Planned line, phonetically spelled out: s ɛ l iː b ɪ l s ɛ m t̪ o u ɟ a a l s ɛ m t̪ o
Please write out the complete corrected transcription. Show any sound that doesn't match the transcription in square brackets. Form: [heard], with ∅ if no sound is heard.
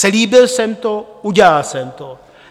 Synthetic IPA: s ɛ l iː b ɪ l s ɛ m t̪ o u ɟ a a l s ɛ m t̪ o